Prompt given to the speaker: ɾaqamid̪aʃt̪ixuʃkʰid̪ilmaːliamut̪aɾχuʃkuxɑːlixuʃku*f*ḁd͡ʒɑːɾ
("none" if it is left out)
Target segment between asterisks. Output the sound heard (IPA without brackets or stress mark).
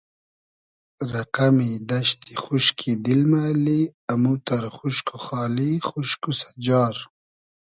s